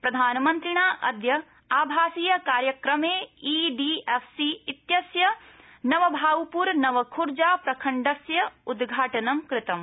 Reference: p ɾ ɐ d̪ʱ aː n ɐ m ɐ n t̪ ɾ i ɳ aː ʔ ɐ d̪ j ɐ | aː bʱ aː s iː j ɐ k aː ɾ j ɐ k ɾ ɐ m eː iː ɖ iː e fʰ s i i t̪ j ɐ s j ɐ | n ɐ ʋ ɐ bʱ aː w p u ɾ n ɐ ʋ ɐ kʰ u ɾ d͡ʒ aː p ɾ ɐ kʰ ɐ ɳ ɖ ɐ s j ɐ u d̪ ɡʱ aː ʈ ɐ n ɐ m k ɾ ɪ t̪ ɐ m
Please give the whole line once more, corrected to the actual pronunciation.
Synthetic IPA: p ɾ ɐ d̪ʱ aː n ɐ m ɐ n t̪ ɾ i ɳ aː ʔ ɐ d̪ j ɐ | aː bʱ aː s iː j ɐ k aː ɾ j ɐ k ɾ ɐ m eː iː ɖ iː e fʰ s i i t̪ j ɐ s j ɐ | n ɐ ʋ ɐ bʱ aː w p u ɾ n ɐ ʋ ɐ kʰ u ɾ d͡ʒ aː p ɾ ɐ kʰ ɐ ɳ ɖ ɐ s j ɐ u d̪ ɡʱ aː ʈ ɐ n ɐ m k ɾ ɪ t̪ ɐ m

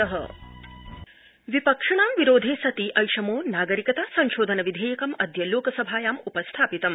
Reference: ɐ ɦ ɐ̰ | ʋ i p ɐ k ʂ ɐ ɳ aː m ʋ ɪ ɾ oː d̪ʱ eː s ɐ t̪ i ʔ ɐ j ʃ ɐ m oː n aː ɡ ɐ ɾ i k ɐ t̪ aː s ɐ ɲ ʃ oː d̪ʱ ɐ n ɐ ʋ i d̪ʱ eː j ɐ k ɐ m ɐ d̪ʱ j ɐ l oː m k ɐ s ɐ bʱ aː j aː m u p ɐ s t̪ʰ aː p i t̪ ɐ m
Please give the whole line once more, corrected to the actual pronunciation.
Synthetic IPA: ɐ ɦ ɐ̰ | ʋ i p ɐ k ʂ ɐ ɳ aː m ʋ i ɾ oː d̪ʱ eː s ɐ t̪ i ʔ ɐ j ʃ ɐ m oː n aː ɡ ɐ ɾ i k ɐ t̪ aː s ɐ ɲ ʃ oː d̪ʱ ɐ n ɐ ʋ i d̪ʱ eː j ɐ k ɐ m ɐ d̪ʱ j ɐ l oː k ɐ s ɐ bʱ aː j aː m u p ɐ s t̪ʰ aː p i t̪ ɐ m

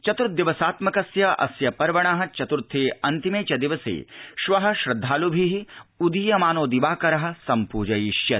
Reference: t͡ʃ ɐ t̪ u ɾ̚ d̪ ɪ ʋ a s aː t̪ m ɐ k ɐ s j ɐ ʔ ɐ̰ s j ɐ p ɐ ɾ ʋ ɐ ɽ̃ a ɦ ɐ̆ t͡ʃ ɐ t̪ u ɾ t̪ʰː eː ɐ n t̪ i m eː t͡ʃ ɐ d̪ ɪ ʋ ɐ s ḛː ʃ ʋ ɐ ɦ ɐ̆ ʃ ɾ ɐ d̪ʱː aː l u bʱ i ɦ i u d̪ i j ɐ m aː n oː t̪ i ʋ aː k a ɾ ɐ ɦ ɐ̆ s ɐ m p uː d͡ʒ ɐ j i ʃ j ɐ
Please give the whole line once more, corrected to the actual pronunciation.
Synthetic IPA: t͡ʃ ɐ t̪ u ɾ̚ d̪ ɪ ʋ ɐ s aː t̪ m ɐ k ɐ s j ɐ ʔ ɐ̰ s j ɐ p ɐ ɾ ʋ ɐ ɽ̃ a ɦ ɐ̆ t͡ʃ ɐ t̪ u ɾ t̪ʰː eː ɐ n t̪ i m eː t͡ʃ ɐ d̪ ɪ ʋ ɐ s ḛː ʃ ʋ ɐ ɦ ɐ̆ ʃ ɾ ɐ d̪ʱː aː l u bʱ i ɦ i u d̪ i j ɐ m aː n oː d̪ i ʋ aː k ɐ ɾ ɐ ɦ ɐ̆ s ɐ m p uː d͡ʒ ɐ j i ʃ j ɐ

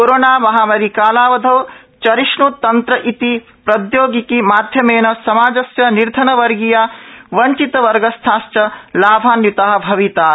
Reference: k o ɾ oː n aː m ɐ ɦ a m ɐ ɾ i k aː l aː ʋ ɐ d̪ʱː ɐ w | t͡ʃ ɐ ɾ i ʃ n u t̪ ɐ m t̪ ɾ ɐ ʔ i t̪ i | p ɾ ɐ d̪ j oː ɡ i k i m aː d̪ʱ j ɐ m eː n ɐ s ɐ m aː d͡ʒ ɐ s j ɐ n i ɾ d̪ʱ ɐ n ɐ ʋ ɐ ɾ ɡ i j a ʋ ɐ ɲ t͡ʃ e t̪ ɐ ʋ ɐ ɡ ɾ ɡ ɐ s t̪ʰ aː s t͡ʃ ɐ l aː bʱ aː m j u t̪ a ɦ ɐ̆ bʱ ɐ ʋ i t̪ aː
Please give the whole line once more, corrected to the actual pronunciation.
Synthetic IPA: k o ɾ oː n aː m ɐ ɦ a m ɐ ɾ i k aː l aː ʋ ɐ d̪ʱ ɐ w | t͡ʃ ɐ ɾ i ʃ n u t̪ ɐ n t̪ ɾ ɐ ʔ i t̪ i | p ɾ ɐ d̪ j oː ɡ i k i m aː d̪ʱ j ɐ m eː n ɐ s ɐ m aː d͡ʒ ɐ s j ɐ n i ɾ d̪ʱ ɐ n ɐ ʋ ɐ ɾ ɡ i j a ʋ ɐ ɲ t͡ʃ i t̪ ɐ ʋ ɐ ɾ ɡ ɐ s t̪ʰ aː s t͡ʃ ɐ l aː bʱ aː n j u t̪ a ɦ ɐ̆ bʱ ɐ ʋ i t̪ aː

